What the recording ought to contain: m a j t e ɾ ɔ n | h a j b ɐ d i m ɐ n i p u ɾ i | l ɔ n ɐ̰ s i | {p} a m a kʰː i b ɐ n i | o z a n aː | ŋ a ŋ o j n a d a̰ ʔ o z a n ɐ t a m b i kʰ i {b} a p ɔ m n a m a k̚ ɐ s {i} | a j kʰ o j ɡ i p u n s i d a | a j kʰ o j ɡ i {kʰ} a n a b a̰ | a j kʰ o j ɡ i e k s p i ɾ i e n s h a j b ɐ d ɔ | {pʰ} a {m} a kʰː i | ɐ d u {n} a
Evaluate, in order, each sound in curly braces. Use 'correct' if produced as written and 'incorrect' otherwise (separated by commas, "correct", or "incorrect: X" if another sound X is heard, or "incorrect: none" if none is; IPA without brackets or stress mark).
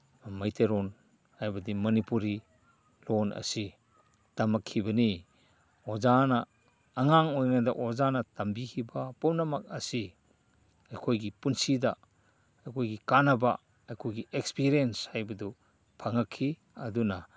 incorrect: t, correct, correct, incorrect: k, correct, incorrect: ŋ, correct